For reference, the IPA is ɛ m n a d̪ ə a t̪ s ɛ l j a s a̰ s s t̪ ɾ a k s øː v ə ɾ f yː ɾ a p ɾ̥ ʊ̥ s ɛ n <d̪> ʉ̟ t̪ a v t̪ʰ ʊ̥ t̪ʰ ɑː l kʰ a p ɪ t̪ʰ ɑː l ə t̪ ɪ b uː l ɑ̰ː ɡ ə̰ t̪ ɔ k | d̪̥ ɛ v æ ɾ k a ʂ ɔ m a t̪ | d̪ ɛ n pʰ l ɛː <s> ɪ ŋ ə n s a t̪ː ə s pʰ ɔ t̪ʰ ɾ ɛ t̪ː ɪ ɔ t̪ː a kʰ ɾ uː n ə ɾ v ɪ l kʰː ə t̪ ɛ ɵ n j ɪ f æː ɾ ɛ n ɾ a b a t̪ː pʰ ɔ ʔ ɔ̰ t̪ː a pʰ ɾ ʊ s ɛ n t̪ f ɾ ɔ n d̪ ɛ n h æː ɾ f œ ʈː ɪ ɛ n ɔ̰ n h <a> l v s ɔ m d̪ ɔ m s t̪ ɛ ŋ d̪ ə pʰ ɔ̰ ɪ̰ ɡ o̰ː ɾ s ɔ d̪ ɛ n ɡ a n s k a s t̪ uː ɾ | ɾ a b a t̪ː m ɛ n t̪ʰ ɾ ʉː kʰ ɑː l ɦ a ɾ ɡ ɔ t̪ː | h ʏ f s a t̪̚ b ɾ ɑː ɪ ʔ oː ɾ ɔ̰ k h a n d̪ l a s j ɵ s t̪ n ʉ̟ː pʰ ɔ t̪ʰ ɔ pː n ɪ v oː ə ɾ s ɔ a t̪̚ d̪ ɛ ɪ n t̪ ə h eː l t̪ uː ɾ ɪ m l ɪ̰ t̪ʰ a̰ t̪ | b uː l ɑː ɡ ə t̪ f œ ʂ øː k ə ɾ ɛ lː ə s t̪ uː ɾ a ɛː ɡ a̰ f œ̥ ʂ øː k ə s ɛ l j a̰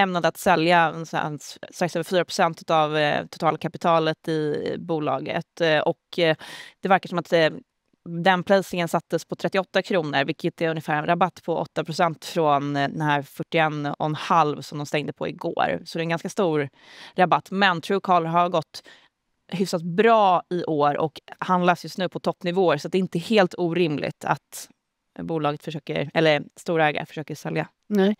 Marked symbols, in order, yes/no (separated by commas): no, yes, yes